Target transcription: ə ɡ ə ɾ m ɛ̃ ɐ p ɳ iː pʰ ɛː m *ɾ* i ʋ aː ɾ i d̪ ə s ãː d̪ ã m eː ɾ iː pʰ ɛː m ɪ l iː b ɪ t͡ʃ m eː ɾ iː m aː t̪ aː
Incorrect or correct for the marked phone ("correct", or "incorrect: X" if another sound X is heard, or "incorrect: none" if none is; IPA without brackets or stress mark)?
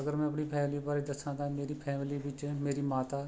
incorrect: l